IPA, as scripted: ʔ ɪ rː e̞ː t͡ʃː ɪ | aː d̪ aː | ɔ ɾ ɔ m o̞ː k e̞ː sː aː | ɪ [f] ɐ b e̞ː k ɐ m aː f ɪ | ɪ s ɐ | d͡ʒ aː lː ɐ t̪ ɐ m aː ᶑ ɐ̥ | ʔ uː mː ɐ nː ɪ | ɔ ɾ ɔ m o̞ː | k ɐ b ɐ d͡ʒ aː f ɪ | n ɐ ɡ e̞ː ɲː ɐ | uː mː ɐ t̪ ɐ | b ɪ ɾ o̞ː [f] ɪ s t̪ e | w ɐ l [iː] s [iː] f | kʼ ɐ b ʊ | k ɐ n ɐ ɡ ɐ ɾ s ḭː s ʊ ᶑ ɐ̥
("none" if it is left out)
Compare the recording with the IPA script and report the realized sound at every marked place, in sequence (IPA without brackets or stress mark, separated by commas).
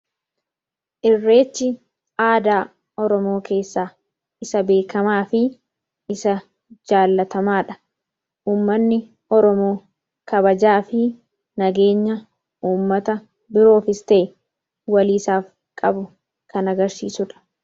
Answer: s, f, iː, aː